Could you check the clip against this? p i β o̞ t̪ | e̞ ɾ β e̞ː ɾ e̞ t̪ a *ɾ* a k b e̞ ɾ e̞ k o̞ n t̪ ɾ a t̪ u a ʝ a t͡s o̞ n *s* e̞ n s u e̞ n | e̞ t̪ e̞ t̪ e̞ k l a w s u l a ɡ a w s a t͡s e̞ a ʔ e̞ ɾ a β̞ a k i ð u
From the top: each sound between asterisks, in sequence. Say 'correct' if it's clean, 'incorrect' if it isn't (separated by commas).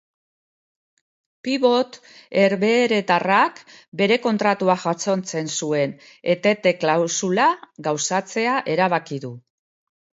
incorrect, incorrect